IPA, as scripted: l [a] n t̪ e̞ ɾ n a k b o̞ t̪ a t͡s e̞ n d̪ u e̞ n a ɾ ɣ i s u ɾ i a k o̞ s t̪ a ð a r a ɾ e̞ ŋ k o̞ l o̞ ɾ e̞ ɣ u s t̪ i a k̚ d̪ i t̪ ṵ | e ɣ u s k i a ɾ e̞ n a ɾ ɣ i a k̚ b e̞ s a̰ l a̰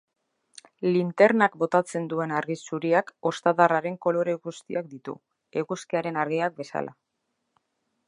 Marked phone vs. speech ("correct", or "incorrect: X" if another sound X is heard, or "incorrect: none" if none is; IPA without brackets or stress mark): incorrect: i